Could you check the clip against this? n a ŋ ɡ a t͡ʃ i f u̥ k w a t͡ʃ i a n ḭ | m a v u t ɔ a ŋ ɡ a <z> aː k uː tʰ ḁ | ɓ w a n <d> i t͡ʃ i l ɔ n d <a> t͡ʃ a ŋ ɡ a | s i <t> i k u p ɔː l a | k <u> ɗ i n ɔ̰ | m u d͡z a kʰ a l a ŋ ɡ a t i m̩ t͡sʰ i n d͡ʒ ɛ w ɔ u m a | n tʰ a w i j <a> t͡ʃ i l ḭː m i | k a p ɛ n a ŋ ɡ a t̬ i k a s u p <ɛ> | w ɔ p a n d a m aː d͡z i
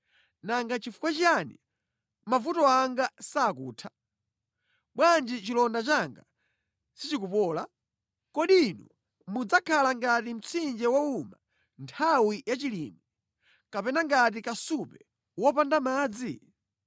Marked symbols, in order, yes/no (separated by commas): no, no, yes, no, no, yes, yes